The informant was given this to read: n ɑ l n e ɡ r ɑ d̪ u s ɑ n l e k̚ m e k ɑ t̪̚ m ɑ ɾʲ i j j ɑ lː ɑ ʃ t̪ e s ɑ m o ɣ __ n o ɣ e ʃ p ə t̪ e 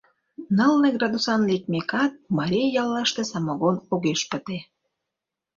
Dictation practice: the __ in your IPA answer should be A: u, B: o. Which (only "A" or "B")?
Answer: B